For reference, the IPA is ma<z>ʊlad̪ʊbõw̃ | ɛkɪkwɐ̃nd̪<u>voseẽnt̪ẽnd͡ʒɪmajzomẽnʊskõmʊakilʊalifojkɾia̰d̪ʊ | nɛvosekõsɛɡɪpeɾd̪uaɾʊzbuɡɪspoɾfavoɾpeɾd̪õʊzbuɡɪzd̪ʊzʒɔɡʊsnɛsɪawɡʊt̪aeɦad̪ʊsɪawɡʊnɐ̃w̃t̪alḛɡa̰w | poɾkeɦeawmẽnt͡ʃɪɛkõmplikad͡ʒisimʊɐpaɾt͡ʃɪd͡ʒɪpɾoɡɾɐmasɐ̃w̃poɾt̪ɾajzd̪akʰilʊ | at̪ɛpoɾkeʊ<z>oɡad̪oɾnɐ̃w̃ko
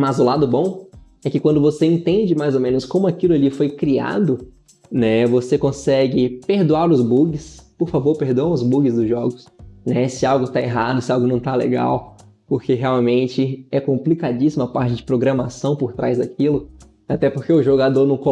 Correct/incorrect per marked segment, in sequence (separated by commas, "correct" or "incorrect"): correct, incorrect, incorrect